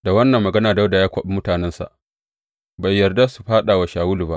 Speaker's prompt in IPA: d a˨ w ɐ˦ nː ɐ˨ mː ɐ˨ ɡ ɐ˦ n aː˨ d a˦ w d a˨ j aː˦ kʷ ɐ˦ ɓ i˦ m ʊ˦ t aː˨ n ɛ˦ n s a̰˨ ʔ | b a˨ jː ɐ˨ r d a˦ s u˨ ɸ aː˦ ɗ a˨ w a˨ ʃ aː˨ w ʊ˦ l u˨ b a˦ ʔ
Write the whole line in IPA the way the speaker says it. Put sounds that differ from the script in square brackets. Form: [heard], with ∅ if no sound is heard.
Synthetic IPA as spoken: d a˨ w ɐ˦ nː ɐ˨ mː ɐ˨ ɡ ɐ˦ n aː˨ d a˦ w d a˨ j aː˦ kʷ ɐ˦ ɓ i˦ m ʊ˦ t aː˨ n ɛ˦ n s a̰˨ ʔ | b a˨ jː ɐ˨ r d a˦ s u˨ ɸ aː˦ ɗ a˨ w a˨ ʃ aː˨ w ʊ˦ l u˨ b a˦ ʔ